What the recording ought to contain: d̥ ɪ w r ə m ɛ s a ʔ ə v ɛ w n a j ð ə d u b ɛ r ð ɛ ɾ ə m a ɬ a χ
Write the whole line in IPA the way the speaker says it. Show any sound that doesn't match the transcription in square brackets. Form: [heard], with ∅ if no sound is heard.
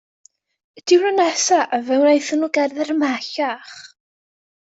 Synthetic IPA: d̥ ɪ w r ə [n] ɛ s a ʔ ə v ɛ w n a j [θ] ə [n] u [ɡ] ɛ r ð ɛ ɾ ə m a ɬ a χ

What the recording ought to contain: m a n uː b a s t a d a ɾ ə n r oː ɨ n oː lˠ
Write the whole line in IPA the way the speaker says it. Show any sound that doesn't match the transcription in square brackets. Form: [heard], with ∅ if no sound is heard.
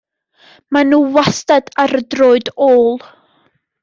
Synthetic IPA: m a n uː [w] a s t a d a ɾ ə [d] r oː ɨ [d] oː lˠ

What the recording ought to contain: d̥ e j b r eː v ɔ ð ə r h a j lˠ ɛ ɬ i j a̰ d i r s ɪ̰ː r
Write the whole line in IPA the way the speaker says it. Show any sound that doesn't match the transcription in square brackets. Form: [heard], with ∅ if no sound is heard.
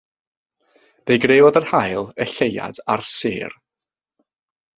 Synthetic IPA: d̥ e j [ɡ] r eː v ɔ ð ə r h a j lˠ ɛ ɬ [e] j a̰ d [a] r s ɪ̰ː r

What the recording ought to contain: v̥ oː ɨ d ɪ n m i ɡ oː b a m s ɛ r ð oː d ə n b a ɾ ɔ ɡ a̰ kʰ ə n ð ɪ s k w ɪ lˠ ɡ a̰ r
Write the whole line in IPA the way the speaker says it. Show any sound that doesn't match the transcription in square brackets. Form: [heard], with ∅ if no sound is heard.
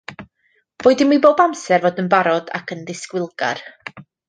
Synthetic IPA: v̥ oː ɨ d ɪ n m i [b] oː b a m s ɛ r [v] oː d ə n b a ɾ ɔ [d] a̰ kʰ ə n ð ɪ s k w ɪ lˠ ɡ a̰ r

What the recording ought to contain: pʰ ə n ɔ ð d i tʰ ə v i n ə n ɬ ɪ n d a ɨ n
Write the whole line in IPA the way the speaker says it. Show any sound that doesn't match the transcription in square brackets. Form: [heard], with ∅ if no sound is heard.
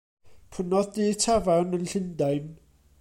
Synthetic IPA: pʰ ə n ɔ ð d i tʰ [a] v [a] n ə n ɬ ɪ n d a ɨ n

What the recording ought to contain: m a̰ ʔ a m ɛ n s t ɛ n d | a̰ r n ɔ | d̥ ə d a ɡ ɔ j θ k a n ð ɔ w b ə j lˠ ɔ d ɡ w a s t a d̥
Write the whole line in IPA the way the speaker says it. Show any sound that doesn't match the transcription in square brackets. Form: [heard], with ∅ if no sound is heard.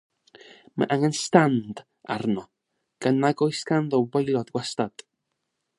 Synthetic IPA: m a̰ ʔ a [ŋ] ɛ n s t [a] n d | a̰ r n ɔ | [ɡ̥] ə [n] a ɡ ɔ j [s] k a n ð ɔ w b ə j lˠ ɔ d ɡ w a s t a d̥

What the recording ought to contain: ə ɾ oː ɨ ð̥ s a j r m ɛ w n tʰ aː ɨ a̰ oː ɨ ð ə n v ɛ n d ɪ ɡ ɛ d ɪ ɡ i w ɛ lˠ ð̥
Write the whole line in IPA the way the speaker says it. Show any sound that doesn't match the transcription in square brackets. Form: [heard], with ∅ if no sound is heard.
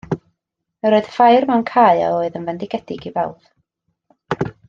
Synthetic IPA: ə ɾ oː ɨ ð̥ [f] a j r m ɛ w n [kʰ] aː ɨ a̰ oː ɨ ð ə n v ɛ n d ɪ ɡ ɛ d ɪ ɡ i [v] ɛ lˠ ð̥

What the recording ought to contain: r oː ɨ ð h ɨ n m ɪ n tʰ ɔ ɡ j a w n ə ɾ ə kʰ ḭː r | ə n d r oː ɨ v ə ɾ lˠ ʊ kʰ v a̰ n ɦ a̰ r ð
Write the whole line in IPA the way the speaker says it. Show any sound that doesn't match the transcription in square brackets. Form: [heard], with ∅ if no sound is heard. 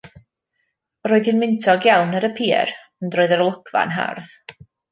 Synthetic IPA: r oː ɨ ð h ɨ n m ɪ n tʰ ɔ ɡ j a w n ə ɾ ə [pʰ] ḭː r | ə n d r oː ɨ [ð] ə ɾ lˠ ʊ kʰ v a̰ n ɦ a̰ r ð

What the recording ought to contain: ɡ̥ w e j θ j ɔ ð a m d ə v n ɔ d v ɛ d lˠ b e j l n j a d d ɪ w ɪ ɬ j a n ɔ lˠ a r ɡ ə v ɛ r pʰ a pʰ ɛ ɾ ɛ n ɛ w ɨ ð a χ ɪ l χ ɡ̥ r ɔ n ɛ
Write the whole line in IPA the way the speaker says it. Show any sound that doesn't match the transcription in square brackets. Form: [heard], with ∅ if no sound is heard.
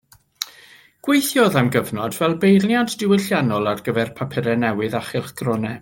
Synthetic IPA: ɡ̥ w e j θ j ɔ ð a m [ɡ] ə v n ɔ d v ɛ [∅] lˠ b e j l n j a d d ɪ w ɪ ɬ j a n ɔ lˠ a r ɡ ə v ɛ r pʰ a pʰ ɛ ɾ ɛ n ɛ w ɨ ð a χ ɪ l χ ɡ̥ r ɔ n ɛ

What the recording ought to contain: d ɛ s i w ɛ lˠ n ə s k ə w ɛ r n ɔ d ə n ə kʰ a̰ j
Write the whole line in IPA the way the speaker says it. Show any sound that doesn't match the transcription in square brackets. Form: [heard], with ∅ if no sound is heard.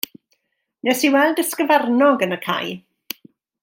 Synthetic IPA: [n] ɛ s i w ɛ lˠ [d] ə s k ə [v] ɛ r n ɔ [ɡ] ə n ə kʰ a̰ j

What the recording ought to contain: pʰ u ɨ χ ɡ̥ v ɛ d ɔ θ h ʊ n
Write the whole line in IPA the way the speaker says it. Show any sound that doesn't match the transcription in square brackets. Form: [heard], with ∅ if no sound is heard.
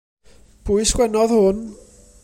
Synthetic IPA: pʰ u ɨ [s] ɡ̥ [w] ɛ [n] ɔ [ð] h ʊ n

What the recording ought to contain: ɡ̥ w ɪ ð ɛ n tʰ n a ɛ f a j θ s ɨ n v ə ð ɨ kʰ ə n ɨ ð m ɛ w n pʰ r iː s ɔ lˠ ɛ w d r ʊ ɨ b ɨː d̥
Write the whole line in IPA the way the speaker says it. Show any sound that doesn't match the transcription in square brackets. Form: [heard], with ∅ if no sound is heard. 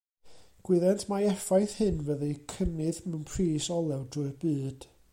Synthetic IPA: ɡ̥ w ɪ ð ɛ n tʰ [m] a ɛ f a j θ [h] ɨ n v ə ð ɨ kʰ ə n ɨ ð m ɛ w n pʰ r iː s ɔ lˠ ɛ w d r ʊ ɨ b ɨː d̥

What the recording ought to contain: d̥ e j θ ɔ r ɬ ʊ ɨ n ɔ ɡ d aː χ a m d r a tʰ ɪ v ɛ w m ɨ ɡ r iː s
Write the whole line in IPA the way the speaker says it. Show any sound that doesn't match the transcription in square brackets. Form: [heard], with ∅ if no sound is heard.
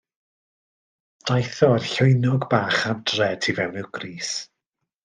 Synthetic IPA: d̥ [a] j θ ɔ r ɬ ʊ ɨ n ɔ ɡ [b] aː χ a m d r [ɛ] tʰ [i] v ɛ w [n] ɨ ɡ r iː s

